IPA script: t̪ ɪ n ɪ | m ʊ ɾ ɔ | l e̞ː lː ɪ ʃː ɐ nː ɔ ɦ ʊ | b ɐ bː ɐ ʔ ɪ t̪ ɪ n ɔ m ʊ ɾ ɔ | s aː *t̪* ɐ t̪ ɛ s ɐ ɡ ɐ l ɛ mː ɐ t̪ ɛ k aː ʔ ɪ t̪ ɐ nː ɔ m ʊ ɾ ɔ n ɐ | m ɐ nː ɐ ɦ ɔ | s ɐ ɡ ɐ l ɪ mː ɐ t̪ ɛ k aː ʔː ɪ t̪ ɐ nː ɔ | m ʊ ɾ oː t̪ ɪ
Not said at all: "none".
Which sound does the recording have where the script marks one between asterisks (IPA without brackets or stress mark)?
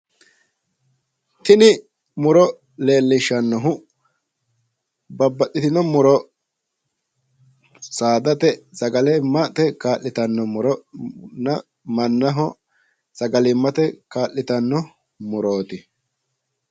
d̪